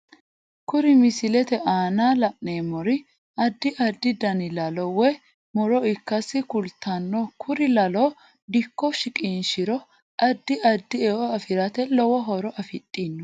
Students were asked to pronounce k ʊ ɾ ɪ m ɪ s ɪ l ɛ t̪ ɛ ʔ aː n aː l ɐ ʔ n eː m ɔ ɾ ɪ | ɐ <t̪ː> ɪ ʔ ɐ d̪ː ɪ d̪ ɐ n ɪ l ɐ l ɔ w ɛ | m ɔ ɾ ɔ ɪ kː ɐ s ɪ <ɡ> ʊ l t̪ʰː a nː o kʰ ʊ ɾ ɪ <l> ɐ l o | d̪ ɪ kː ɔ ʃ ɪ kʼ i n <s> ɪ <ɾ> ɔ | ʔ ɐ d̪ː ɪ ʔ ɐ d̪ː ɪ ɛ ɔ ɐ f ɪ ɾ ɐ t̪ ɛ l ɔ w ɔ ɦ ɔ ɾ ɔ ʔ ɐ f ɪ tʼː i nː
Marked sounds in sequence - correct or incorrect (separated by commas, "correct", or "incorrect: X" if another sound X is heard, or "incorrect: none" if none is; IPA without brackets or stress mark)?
incorrect: d̪ː, incorrect: k, correct, incorrect: ʃ, correct